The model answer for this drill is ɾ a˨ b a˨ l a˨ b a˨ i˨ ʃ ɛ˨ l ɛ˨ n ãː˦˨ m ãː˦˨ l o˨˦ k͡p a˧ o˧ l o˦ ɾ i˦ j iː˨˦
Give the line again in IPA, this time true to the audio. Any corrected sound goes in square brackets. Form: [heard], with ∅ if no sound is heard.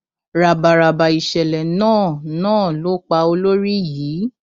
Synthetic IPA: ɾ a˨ b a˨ [ɾ] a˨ b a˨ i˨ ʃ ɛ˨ l ɛ˨ n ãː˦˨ [n] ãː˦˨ l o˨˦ k͡p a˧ o˧ l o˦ ɾ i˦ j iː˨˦